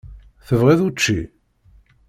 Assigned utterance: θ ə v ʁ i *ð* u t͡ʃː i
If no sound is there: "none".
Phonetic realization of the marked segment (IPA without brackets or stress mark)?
ð